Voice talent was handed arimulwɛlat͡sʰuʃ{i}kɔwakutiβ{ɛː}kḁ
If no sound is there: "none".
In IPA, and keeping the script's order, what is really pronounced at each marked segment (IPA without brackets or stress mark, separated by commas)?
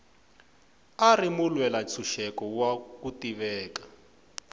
ɛ, ɛː